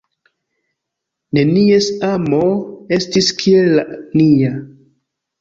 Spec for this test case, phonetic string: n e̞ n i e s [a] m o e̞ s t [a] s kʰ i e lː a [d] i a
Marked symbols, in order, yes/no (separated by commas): yes, no, no